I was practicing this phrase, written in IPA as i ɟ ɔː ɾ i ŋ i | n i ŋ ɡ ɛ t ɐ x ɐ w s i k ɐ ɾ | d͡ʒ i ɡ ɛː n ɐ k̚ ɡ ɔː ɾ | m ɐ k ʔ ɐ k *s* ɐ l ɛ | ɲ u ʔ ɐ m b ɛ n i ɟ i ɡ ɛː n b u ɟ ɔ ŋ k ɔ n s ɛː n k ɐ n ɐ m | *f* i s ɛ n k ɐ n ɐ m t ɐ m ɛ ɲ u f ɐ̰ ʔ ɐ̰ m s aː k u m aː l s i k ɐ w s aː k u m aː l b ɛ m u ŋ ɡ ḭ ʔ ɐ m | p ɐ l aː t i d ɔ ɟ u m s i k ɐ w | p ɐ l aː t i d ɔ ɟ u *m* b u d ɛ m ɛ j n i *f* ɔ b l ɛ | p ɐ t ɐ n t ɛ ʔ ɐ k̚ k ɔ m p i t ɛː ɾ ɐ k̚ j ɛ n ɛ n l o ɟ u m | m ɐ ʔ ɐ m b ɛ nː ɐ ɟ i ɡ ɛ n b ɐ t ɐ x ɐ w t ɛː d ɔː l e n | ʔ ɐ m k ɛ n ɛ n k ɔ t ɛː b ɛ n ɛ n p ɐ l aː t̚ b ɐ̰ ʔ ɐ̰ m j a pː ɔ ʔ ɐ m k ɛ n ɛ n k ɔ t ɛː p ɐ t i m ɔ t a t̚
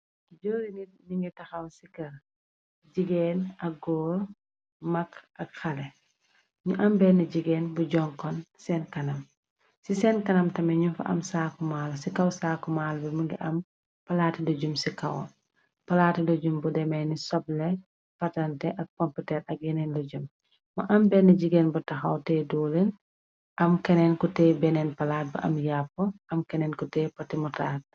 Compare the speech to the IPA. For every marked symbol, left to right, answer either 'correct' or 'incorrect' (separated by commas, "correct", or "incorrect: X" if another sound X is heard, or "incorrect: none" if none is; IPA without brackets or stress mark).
incorrect: x, incorrect: s, correct, incorrect: s